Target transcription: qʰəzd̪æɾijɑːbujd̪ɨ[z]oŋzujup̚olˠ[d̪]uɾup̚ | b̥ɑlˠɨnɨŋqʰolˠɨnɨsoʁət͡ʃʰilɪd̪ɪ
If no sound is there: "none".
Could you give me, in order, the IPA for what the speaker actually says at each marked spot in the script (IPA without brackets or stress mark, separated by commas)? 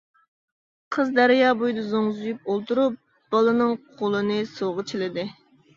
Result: z, t̪